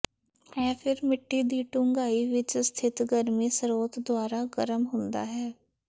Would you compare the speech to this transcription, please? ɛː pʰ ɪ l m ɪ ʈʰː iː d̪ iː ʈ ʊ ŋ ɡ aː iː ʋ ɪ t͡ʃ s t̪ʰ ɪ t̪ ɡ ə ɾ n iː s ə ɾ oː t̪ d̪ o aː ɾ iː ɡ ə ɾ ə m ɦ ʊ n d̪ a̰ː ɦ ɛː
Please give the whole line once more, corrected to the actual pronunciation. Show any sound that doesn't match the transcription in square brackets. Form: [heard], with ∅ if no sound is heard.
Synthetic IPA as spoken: ɛː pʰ ɪ [ɾ] m ɪ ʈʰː iː d̪ iː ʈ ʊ ŋ ɡ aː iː ʋ ɪ t͡ʃ s t̪ʰ ɪ t̪ ɡ ə ɾ [m] iː s ə ɾ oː t̪ d̪ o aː ɾ [aː] ɡ ə ɾ ə m ɦ ʊ n d̪ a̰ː ɦ ɛː